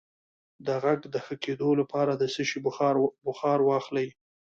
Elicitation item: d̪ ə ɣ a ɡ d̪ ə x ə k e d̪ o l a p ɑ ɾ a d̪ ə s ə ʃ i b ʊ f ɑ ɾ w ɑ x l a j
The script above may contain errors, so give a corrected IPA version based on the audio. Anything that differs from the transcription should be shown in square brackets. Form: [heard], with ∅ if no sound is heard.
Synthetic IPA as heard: d̪ ə ɣ a ɡ d̪ ə x ə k e d̪ o l a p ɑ ɾ a d̪ ə s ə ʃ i b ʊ [x] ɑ ɾ w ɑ x l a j

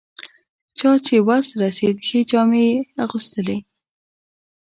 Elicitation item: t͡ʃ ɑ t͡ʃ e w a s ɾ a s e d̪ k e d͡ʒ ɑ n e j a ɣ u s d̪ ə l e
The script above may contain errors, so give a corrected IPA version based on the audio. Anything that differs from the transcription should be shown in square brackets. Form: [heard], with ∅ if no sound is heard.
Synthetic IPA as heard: t͡ʃ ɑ t͡ʃ e w a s ɾ a s e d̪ [x] e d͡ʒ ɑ [m] e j a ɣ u s [t̪] ə l e

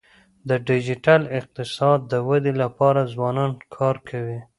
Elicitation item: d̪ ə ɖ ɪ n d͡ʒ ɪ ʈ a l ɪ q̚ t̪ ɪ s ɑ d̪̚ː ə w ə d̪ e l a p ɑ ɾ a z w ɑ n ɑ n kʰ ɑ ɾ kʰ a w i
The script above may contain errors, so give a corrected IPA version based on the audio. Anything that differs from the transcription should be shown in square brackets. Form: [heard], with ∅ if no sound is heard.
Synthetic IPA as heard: d̪ ə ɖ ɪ [∅] d͡ʒ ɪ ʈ a l ɪ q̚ t̪ ɪ s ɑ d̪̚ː ə w [a] d̪ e l a p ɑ ɾ a z w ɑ n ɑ n kʰ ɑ ɾ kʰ a w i

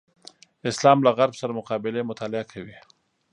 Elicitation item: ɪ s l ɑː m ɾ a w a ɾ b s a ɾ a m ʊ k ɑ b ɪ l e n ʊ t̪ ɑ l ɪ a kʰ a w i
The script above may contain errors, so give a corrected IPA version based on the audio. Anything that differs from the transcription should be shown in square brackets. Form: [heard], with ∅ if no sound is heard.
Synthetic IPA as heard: ɪ s l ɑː m [l] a [ɣ] a ɾ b s a ɾ a m ʊ [q] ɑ b ɪ l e [m] ʊ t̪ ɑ l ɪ a kʰ a w i

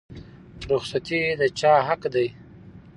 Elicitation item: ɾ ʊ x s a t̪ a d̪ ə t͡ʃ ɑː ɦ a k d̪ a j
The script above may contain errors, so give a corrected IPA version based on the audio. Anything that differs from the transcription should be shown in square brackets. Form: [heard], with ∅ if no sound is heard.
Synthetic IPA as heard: ɾ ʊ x s a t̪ [i] d̪ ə t͡ʃ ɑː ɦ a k d̪ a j

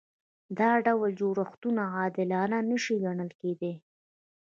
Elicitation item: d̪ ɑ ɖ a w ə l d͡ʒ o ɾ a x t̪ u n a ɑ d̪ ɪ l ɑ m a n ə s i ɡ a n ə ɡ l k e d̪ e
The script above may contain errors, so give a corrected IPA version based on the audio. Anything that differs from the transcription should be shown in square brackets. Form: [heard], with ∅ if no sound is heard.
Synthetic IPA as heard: d̪ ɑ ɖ a w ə l d͡ʒ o ɾ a x t̪ u n a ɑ d̪ ɪ l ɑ [n] a n ə [ʃ] i ɡ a [ɳ] ə [∅] l k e d̪ e

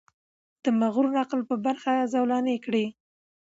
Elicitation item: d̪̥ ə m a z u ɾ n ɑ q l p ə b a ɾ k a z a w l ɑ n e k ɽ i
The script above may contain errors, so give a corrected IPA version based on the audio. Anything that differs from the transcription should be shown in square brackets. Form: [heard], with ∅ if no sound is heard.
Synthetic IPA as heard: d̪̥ ə m a [ɣ] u ɾ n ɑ q l p ə b a ɾ [x] a z a w l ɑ n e k ɽ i

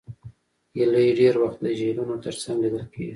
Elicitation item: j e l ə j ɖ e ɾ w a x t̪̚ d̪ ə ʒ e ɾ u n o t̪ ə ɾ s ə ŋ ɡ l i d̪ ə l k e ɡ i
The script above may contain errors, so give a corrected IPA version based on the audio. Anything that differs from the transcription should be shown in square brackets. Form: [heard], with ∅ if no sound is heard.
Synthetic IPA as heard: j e l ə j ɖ e ɾ w a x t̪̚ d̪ ə ʒ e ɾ u n o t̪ ə ɾ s [a] ŋ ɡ l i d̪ ə l k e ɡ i

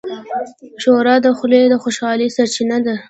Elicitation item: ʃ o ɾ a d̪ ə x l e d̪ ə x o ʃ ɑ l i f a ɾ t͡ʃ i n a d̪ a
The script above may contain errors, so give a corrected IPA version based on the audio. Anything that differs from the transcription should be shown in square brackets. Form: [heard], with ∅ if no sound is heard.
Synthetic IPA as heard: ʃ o ɾ [ɑ] d̪ ə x l e d̪ ə x o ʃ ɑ l i [s] a ɾ t͡ʃ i n a d̪ a

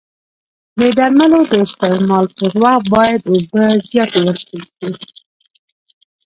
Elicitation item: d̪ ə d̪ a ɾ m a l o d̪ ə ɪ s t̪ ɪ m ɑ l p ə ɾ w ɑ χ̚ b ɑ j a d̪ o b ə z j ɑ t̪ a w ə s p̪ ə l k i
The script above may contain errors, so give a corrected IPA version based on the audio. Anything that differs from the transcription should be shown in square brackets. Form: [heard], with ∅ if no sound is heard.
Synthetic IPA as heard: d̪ ə d̪ a ɾ m a l o d̪ ə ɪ s t̪ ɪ m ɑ l p ə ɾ w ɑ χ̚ b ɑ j a d̪ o b ə z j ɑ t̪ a w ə s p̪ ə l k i

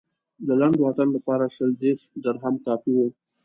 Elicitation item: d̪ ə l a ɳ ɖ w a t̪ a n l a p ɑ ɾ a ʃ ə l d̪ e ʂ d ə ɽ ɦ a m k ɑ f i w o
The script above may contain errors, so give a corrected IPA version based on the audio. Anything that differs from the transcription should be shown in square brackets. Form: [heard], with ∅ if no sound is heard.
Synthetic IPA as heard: d̪ ə l a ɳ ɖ w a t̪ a n l a p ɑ ɾ a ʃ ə l d̪ e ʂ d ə [ɾ] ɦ a m k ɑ f i w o

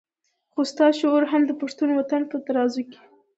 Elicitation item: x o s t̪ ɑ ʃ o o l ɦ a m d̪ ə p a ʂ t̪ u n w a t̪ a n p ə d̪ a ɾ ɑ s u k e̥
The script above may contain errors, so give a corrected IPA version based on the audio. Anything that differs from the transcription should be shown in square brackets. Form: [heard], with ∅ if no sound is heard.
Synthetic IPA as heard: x o s t̪ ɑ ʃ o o [ɾ] ɦ a m d̪ ə p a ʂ t̪ u n w a t̪ a n p ə [t̪] a ɾ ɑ [z] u k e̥

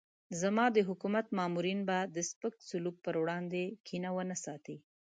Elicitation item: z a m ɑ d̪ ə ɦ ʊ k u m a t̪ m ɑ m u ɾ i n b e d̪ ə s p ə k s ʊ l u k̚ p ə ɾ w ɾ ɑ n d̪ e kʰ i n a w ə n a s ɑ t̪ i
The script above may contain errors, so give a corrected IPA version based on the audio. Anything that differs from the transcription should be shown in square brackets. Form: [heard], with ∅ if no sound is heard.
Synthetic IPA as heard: z a m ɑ d̪ ə ɦ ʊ k u m a t̪ m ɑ m u ɾ i n b [a] d̪ ə s p ə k s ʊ l u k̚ p ə ɾ w [ɽ] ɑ n d̪ e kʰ i n a w ə n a s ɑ t̪ i

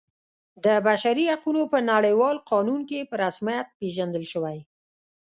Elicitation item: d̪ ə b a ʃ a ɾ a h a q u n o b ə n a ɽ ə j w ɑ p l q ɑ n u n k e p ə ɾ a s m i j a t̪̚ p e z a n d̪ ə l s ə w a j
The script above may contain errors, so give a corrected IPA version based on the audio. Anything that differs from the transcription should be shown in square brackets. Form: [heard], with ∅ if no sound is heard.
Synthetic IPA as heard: d̪ ə b a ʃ a ɾ [i] h a q u n o [p] ə n a ɽ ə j w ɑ [∅] l q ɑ n u n k e p ə ɾ a s m i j a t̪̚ p e [ʒ] a n d̪ ə l [ʃ] ə w a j

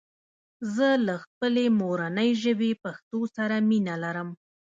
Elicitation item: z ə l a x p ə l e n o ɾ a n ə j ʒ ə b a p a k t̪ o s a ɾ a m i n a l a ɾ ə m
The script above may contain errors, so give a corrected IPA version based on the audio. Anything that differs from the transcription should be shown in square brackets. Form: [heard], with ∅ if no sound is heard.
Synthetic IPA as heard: z ə l a x p ə l e [m] o ɾ a n ə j ʒ ə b [e] p a [x] t̪ o s a ɾ a m i n a l a ɾ ə m

